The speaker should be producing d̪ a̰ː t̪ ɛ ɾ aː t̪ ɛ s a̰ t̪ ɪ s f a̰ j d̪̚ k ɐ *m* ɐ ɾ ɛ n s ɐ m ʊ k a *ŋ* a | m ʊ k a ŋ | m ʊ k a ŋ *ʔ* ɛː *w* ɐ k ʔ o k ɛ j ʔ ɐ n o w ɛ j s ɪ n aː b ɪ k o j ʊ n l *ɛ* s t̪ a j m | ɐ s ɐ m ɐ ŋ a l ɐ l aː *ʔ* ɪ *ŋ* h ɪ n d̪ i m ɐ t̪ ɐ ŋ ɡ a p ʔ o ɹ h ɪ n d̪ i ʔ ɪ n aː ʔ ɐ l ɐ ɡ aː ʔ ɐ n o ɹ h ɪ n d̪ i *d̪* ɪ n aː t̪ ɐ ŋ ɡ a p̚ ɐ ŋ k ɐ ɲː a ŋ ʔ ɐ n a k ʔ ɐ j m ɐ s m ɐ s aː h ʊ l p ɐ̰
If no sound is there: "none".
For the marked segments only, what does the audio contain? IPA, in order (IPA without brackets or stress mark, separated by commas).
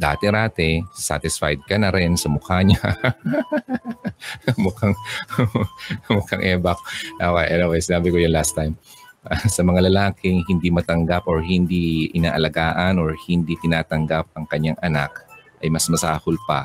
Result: n, ɲ, ʔ, b, a, k, ŋ, t̪